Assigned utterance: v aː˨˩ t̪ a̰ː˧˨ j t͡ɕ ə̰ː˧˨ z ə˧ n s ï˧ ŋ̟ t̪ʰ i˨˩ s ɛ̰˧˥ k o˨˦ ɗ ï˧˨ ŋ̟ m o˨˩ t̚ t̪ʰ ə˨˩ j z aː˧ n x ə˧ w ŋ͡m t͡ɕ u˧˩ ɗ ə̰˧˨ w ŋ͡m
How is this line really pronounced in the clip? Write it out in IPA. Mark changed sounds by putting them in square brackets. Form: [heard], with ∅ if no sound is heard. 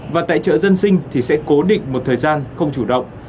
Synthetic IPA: v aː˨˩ t̪ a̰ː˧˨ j t͡ɕ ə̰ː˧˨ z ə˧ n s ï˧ ŋ̟ t̪ʰ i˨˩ s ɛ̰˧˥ k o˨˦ ɗ ï˧˨ ŋ̟ m o˨˩ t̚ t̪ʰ [əː˨˩] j z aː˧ n x ə˧ w ŋ͡m t͡ɕ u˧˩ ɗ ə̰˧˨ w ŋ͡m